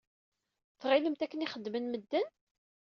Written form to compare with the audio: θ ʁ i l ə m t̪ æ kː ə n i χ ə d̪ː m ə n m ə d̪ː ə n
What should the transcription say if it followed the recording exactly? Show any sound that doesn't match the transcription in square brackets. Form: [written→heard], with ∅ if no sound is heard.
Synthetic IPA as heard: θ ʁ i l ə m t̪ æ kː ə n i χ ə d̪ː m ə n m ə d̪ː ə n